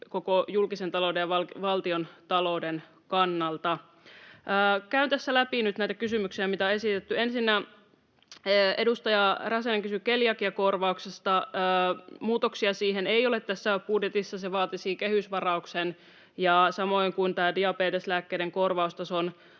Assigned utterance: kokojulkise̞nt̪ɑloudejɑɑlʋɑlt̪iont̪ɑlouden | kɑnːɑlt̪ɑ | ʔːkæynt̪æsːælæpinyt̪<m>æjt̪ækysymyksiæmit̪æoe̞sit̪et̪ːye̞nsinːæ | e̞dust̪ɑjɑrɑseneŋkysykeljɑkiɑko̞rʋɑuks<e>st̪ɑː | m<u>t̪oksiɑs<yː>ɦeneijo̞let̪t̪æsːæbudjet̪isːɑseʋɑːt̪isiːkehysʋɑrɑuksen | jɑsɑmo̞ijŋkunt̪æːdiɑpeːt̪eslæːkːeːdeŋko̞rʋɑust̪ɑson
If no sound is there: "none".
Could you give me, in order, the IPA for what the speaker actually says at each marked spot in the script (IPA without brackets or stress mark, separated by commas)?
n, e, uː, iː